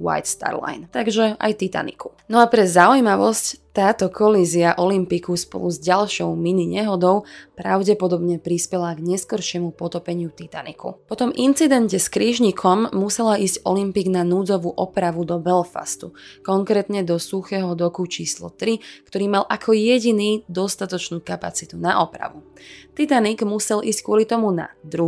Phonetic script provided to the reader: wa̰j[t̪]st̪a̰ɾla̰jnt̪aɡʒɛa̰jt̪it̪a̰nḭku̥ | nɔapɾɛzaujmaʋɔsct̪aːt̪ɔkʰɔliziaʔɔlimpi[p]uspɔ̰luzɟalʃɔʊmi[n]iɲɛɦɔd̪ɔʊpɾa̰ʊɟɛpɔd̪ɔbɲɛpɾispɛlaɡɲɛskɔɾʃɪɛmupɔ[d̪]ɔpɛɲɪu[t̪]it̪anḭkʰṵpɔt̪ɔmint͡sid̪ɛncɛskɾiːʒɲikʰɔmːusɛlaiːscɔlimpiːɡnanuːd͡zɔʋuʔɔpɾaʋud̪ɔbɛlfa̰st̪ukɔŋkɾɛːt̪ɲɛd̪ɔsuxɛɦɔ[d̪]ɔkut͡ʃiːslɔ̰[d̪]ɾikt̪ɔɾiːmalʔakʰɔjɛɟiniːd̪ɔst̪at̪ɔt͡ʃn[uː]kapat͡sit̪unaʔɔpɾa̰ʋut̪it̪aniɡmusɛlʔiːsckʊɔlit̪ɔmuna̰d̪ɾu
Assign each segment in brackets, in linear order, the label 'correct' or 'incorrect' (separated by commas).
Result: correct, incorrect, correct, incorrect, correct, correct, incorrect, correct